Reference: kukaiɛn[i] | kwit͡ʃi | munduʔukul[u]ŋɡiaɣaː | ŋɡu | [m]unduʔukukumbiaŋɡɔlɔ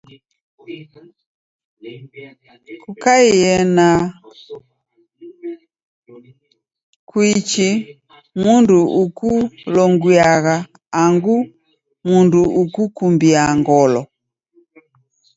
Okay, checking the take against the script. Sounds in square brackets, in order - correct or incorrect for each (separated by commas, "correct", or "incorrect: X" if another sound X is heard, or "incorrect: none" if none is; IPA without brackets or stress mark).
incorrect: a, incorrect: ɔ, correct